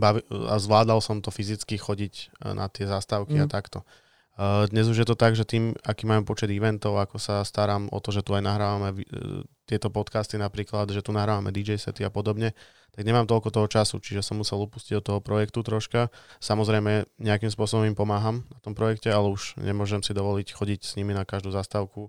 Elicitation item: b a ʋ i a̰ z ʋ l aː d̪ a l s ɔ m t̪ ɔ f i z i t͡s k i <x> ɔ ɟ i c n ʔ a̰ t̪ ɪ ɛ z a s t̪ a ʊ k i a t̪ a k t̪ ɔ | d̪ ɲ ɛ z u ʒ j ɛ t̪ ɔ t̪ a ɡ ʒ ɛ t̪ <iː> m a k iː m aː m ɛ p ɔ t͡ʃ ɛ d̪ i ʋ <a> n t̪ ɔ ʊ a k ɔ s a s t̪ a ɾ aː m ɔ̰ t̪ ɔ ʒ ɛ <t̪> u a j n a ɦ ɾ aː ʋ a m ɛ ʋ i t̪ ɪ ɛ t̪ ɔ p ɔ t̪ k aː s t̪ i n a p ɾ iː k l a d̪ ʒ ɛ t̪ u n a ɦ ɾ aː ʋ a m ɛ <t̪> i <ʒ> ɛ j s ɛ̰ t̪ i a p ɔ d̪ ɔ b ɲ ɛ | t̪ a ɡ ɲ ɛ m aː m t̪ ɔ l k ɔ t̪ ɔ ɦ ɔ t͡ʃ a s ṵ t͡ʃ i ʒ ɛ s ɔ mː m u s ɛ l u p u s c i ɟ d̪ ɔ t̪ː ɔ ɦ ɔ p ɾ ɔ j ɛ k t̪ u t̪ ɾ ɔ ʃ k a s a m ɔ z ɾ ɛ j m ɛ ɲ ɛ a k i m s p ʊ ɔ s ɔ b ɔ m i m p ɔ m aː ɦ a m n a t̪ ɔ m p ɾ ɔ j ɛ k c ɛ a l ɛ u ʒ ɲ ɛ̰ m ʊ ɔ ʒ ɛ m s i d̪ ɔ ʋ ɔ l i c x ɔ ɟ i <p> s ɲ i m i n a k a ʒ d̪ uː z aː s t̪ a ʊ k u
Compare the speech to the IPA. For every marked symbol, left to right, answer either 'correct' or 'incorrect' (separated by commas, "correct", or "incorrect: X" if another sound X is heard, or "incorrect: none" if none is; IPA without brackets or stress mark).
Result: correct, correct, incorrect: ɛ, correct, incorrect: d̪, incorrect: d͡ʒ, incorrect: c